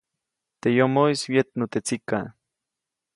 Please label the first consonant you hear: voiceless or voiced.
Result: voiceless